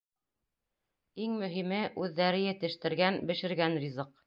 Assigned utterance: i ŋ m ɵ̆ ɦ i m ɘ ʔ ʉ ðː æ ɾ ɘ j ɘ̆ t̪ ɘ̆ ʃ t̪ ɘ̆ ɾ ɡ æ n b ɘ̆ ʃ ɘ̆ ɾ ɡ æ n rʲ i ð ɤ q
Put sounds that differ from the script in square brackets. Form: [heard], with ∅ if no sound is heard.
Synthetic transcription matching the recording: i ŋ m ɵ̆ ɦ i m ɘ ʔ ʉ ðː æ ɾ ɘ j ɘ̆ t̪ ɘ̆ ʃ t̪ ɘ̆ ɾ ɡ æ n b ɘ̆ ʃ ɘ̆ ɾ ɡ æ n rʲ i [z] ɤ q